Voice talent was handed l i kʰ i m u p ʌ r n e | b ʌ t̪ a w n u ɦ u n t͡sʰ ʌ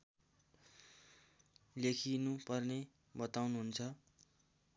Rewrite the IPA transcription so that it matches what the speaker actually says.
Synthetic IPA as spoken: l e kʰ i n u p ʌ r n e | b ʌ t̪ a w n u ɦ u n t͡sʰ ʌ